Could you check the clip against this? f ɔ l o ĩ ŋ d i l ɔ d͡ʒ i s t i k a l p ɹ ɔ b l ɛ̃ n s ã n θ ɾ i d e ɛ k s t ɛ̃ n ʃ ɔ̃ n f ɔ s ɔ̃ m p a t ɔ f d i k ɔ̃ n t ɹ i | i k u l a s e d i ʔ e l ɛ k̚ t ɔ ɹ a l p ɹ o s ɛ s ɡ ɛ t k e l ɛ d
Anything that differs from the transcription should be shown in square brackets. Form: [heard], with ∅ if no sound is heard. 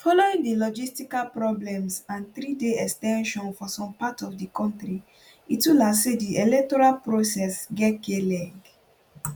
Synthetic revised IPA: f ɔ l o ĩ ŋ d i l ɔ d͡ʒ i s t i k a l p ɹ ɔ b l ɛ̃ [m] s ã n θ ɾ i d e ɛ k s t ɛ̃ n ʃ ɔ̃ n f ɔ s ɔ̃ m p a t ɔ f d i k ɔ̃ n t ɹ i | i [t] u l a s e d i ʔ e l ɛ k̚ t ɔ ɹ a l p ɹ o s ɛ s ɡ ɛ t k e l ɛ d

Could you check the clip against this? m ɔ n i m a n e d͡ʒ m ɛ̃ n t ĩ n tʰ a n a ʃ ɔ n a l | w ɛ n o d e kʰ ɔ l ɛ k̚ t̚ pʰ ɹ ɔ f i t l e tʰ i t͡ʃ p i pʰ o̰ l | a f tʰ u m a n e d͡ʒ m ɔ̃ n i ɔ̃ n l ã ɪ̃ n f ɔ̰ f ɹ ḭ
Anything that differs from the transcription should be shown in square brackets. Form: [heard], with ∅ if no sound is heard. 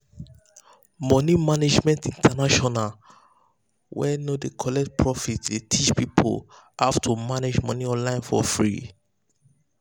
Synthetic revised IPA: m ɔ n i m a n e d͡ʒ m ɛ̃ n t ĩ n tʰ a n a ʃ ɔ n a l | w ɛ n o d e kʰ ɔ l ɛ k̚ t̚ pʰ ɹ ɔ f i t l e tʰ i t͡ʃ p i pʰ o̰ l | a f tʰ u m a n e d͡ʒ m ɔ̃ n i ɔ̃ n l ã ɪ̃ n f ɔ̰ f ɹ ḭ

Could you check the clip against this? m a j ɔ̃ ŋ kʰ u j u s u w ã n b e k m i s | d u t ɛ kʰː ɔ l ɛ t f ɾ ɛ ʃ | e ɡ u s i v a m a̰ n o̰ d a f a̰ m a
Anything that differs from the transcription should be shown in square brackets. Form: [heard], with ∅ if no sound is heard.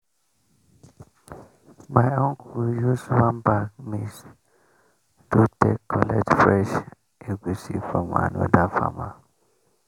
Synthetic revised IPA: m a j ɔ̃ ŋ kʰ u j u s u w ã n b [a] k m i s | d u t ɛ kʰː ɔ l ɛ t f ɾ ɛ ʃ | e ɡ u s i [f] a m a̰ n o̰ d a f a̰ m a

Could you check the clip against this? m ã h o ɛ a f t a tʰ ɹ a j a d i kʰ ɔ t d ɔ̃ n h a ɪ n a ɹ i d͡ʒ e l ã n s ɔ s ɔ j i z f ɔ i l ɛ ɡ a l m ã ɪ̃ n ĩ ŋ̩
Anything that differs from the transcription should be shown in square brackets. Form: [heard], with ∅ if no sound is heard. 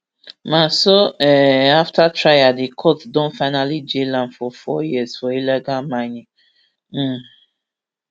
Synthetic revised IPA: m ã [s] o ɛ a f t a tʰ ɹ a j a d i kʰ ɔ t d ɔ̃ n [f] a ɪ n a [l] i d͡ʒ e l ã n [f] ɔ [f] ɔ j i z f ɔ i l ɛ ɡ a l m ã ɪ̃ n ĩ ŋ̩

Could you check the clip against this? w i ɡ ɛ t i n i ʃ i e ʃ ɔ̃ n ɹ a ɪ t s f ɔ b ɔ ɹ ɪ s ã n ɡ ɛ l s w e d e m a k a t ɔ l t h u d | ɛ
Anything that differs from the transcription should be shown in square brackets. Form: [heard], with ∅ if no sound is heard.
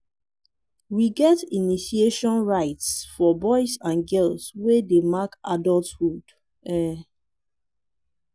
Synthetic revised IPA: w i ɡ ɛ t i n i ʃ i e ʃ ɔ̃ n ɹ a ɪ t s f ɔ b ɔ [∅] ɪ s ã n ɡ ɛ l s w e d e m a k a [d] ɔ l t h u d | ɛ

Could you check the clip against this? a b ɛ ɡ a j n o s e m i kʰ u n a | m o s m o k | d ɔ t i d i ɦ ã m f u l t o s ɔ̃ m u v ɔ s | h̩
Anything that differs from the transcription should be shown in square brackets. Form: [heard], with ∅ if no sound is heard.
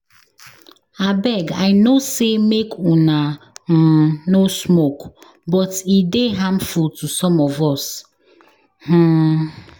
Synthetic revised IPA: a b ɛ ɡ a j n o s e m [e] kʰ u n a | [n] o s m o k | [b] ɔ t i d [e] ɦ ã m f u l t [u] s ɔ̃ m [ɔ] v ɔ s | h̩

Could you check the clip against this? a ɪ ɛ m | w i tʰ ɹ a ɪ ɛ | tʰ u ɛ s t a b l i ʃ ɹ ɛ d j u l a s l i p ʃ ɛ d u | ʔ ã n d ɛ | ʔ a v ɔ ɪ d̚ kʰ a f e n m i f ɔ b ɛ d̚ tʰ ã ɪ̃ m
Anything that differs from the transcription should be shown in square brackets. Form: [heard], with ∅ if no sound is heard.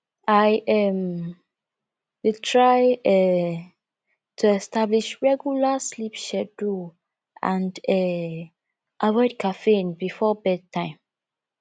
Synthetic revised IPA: a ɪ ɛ m | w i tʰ ɹ a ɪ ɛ | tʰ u ɛ s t a b l i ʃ ɹ ɛ [ɡ] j u l a s l i p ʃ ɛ d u | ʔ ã n d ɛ | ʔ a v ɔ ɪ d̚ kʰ a f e n [b] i f ɔ b ɛ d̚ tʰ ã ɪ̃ m

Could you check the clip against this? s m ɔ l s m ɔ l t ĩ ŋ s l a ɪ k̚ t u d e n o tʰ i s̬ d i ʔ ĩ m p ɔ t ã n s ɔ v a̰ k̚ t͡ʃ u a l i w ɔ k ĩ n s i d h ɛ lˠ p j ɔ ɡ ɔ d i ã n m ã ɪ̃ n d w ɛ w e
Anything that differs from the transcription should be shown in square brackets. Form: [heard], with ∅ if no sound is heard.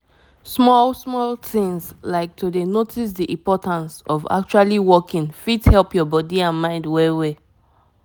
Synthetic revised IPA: s m ɔ l s m ɔ l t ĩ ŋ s l a ɪ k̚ t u d e n o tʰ i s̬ d i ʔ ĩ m p ɔ t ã n s ɔ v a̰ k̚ t͡ʃ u a l i w ɔ k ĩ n [f] i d h ɛ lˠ p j ɔ [b] ɔ d i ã n m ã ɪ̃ n d w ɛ w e

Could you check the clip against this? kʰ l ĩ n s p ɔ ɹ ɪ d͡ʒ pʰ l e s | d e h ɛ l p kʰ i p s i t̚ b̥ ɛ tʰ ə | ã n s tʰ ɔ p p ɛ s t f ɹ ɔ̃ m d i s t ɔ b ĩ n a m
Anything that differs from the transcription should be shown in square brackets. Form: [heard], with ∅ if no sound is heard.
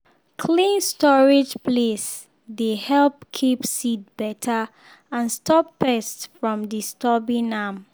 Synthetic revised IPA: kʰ l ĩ n s [t] ɔ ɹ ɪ d͡ʒ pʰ l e s | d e h ɛ l p kʰ i p s i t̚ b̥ ɛ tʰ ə | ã n s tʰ ɔ p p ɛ s t f ɹ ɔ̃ m d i s t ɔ b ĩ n a m

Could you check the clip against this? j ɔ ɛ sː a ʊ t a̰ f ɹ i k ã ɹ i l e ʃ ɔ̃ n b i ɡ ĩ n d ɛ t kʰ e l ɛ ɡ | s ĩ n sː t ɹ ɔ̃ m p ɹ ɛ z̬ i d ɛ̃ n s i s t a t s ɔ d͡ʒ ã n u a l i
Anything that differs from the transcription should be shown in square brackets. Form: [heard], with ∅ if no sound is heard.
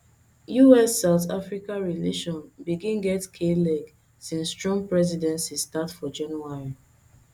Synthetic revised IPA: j [u] ɛ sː a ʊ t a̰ f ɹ i k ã ɹ i l e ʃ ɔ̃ n b i ɡ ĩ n [ɡ] ɛ t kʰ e l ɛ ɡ | s ĩ n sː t ɹ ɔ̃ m p ɹ ɛ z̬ i d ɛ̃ n s i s t a t [f] ɔ d͡ʒ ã n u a [ɹ] i

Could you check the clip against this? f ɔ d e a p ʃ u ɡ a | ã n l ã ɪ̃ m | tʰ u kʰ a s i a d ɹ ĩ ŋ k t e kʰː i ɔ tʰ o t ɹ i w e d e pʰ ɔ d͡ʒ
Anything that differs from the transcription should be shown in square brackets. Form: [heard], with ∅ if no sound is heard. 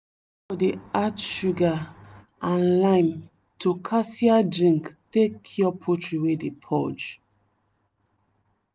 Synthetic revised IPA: f ɔ d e a [t] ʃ u ɡ a | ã n l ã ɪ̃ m | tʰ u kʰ a s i a d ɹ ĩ ŋ k t e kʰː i ɔ [pʰ] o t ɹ i w e d e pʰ ɔ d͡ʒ

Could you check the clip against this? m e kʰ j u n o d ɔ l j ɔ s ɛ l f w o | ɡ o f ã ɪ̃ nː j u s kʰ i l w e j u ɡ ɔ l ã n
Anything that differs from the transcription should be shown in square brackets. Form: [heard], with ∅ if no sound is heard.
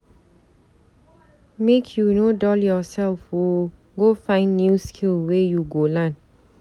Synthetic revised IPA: m e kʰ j u n o d ɔ l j ɔ s ɛ l f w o | ɡ o f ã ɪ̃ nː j u s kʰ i l w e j u ɡ [o] l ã n

